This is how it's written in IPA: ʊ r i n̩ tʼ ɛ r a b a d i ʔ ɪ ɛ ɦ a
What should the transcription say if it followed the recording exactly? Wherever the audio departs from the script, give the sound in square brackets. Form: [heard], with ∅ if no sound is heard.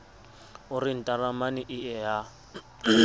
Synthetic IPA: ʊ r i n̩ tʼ [a] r a [m] a [n] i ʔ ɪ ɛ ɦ a